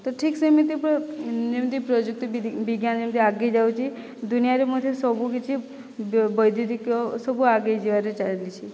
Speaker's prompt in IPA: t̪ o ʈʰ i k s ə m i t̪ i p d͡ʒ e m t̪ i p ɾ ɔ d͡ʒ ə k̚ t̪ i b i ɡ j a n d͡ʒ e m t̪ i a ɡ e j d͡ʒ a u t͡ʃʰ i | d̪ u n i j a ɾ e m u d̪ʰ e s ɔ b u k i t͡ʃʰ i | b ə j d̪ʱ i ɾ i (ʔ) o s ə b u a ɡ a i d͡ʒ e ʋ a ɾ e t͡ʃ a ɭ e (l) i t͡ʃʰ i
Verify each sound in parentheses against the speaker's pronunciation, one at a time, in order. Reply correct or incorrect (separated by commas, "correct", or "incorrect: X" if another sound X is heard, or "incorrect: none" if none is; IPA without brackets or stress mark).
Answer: incorrect: k, correct